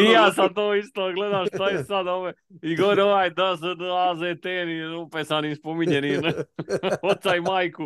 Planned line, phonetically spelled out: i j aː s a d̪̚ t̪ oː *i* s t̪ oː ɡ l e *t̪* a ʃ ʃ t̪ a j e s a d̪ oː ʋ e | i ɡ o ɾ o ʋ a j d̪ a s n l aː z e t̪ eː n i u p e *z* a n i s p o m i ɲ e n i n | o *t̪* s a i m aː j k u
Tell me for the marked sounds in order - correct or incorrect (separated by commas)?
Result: correct, incorrect, incorrect, correct